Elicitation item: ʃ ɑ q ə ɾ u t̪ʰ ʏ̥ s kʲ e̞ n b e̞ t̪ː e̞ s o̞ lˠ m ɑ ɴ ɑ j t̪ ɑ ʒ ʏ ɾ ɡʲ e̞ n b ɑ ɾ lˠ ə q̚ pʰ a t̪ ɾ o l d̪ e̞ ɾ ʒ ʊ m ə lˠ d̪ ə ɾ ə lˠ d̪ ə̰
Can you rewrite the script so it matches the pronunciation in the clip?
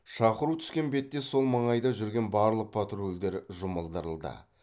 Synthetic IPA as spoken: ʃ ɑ q ə ɾ u t̪ʰ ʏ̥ s kʲ e̞ n b e̞ t̪ː e̞ s o̞ lˠ m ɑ ɴ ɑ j d̪ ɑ ʒ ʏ ɾ ɡʲ e̞ n b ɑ ɾ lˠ ə q̚ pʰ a t̪ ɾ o l d̪ e̞ ɾ ʒ ʊ m ə lˠ d̪ ə ɾ ə lˠ d̪ ə̰